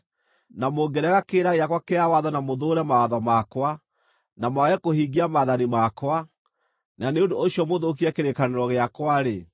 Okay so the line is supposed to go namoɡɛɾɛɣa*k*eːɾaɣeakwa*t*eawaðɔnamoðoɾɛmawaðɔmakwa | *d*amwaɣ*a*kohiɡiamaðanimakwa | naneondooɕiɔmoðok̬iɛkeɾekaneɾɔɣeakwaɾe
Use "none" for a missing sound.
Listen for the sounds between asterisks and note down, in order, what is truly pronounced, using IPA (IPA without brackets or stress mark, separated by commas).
k, k, n, ɛ